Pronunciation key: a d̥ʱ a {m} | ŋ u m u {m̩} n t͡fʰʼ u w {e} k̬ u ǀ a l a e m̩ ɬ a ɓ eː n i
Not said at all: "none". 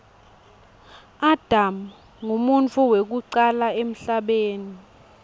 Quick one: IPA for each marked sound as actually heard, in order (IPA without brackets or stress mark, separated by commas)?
m, none, e